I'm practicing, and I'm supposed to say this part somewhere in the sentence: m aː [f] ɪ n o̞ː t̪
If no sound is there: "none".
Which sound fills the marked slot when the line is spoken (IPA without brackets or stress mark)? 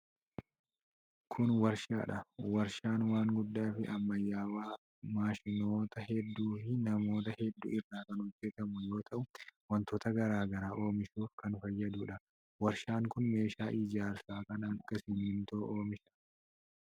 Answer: ʃ